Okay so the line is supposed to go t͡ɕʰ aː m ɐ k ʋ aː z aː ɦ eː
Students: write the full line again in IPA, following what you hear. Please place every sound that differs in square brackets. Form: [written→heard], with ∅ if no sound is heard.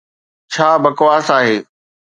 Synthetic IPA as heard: t͡ɕʰ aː [m→b] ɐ k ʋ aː [z→s] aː ɦ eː

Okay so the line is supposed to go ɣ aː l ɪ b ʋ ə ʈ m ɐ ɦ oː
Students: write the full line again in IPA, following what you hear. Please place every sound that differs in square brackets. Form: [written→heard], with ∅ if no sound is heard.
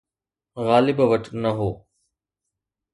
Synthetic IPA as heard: ɣ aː l ɪ b ʋ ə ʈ [m→n] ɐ ɦ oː

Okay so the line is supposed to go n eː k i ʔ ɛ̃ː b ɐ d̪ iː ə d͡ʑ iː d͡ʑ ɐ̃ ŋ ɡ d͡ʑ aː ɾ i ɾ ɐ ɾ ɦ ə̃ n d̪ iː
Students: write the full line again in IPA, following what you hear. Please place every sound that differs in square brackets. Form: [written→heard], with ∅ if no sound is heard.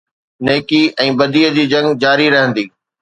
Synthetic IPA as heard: n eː k i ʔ ɛ̃ː b ɐ d̪ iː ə d͡ʑ iː d͡ʑ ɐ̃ ŋ ɡ d͡ʑ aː ɾ i ɾ ɐ [ɾ→∅] ɦ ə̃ n d̪ iː

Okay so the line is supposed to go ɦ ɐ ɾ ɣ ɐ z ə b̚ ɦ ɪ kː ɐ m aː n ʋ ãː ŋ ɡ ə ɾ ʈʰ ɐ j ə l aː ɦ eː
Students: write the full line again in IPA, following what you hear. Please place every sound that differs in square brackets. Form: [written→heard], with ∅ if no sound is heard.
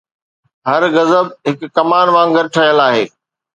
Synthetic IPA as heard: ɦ ɐ ɾ ɣ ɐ z ə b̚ ɦ ɪ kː ɐ m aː n ʋ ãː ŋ ɡ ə ɾ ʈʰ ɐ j ə l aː ɦ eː

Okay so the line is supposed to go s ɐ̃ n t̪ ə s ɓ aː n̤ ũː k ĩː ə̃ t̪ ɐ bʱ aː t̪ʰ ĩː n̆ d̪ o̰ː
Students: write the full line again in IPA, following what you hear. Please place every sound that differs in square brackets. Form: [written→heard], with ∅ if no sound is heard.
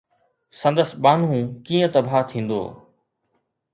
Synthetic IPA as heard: s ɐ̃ n [t̪→d̪] ə s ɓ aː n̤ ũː k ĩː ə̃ t̪ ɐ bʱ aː t̪ʰ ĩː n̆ d̪ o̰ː

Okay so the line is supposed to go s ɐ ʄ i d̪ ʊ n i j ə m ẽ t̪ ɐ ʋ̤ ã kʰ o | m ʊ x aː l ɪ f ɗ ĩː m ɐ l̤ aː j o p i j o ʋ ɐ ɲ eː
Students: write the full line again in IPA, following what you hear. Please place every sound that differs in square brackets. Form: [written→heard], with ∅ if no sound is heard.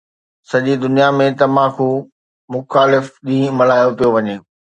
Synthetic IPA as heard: s ɐ ʄ i d̪ ʊ n i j [ə→a] m ẽ t̪ ɐ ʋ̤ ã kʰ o | m ʊ x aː l ɪ f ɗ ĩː m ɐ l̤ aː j o p i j o ʋ ɐ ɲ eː

